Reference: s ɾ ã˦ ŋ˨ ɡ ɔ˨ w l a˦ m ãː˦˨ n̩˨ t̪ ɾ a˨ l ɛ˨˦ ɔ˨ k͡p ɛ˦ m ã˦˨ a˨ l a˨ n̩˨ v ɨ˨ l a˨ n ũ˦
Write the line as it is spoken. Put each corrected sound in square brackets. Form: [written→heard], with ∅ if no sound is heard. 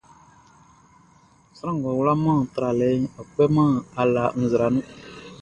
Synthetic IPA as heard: s ɾ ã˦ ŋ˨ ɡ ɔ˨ w l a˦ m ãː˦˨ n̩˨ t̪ ɾ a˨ l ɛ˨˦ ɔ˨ k͡p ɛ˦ m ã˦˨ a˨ l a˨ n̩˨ [v→z] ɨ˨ [l→ɾ] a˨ n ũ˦